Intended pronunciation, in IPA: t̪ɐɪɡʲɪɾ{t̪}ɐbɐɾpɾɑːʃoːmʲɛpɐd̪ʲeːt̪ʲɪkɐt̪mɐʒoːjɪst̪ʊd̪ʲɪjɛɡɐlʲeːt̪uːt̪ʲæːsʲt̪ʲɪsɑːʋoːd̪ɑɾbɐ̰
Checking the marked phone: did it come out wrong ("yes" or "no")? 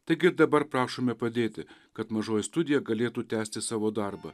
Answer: yes